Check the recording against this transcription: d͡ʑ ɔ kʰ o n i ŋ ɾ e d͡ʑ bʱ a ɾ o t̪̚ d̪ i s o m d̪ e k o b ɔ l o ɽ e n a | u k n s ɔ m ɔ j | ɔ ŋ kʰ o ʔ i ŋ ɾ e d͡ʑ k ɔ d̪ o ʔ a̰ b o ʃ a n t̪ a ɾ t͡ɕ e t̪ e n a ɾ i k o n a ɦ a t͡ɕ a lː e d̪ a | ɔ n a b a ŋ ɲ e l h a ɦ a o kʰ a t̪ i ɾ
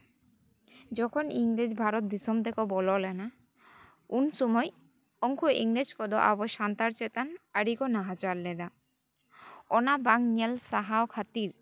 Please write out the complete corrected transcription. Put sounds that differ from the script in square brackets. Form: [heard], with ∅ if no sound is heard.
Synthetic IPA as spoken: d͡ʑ ɔ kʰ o n i ŋ ɾ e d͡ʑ bʱ a ɾ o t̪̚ d̪ i s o m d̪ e k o b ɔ l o [l] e n a | u [∅] n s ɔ m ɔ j | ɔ ŋ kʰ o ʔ i ŋ ɾ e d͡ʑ k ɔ d̪ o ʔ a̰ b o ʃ a n t̪ a ɾ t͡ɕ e t̪ [a] n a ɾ i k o n a ɦ a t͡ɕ a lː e d̪ a | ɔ n a b a ŋ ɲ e l [s] a ɦ a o kʰ a t̪ i ɾ